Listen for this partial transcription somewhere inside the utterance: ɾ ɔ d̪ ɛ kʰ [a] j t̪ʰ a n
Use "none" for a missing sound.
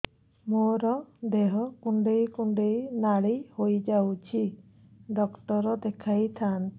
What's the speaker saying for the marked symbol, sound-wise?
a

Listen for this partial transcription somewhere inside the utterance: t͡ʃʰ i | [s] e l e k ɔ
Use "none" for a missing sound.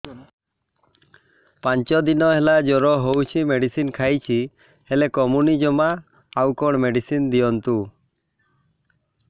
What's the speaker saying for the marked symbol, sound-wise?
h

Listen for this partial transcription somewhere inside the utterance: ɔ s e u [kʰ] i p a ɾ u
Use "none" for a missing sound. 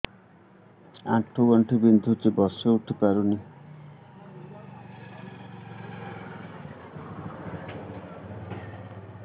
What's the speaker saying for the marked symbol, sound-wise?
ʈʰ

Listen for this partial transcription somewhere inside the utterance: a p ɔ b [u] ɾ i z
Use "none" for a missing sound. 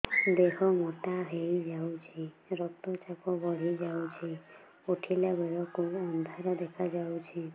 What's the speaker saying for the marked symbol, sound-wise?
ɔ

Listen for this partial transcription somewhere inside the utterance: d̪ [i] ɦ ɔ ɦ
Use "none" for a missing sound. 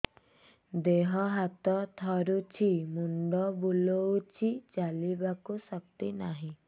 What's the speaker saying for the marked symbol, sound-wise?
e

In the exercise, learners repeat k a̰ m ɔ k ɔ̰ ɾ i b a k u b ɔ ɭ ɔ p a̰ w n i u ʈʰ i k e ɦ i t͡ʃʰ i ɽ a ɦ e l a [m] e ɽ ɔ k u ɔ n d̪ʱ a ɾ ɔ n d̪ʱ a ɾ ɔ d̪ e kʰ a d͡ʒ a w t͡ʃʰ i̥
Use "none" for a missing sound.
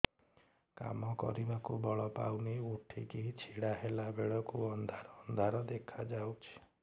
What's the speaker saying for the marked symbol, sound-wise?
b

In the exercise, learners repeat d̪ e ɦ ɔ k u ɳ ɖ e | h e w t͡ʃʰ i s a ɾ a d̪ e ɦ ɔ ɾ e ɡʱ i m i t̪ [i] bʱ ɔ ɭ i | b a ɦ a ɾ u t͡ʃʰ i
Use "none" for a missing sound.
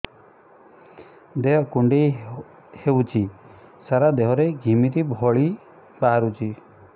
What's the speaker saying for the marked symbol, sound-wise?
i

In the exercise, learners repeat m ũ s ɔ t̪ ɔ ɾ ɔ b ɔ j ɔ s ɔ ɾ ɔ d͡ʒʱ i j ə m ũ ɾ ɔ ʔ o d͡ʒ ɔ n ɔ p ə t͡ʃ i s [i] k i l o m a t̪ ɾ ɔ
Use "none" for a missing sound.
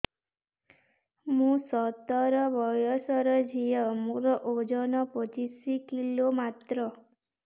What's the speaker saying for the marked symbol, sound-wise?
i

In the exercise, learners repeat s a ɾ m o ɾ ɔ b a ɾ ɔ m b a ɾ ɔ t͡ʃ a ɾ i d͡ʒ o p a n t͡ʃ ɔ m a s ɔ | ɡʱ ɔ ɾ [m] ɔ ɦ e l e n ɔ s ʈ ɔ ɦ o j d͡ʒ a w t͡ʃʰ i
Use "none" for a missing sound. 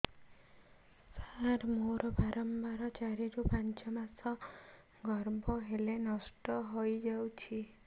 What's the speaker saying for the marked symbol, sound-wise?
b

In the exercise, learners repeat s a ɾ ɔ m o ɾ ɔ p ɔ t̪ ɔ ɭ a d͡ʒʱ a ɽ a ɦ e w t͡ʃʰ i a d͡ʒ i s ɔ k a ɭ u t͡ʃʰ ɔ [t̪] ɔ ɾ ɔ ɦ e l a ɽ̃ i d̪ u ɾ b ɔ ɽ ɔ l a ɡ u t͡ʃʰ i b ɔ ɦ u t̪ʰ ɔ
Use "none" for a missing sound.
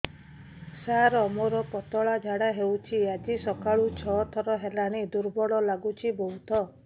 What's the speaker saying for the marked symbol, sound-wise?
t̪ʰ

